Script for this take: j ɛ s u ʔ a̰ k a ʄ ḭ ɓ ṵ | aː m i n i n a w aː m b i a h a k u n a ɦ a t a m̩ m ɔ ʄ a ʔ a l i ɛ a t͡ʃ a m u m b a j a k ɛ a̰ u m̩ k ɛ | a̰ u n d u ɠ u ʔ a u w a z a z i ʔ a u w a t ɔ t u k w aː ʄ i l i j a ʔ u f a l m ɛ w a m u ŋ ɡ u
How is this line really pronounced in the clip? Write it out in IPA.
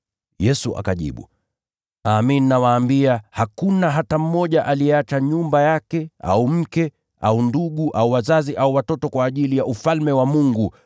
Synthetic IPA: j ɛ s u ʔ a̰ k a ʄ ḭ ɓ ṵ | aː m i n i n a w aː m b i a h a k u n a ɦ a t a m̩ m ɔ ʄ a ʔ a l i ɛ a t͡ʃ a ɲ u m b a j a k ɛ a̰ u m̩ k ɛ | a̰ u n d u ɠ u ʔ a u w a z a z i ʔ a u w a t ɔ t ɔ k w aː ʄ i l i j a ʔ u f a l m ɛ w a m u ŋ ɡ u